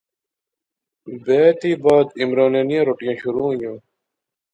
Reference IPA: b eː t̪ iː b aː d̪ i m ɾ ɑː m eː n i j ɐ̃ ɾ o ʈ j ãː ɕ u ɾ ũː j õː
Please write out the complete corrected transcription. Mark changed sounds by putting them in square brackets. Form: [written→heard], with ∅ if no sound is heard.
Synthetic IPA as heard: b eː t̪ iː b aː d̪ i m ɾ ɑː [m→n] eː n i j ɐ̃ ɾ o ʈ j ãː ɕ u ɾ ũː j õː